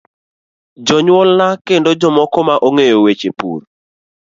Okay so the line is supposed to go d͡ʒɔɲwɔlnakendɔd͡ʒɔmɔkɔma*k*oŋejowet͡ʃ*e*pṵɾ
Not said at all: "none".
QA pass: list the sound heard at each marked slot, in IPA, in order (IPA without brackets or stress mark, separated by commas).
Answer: ʔ, e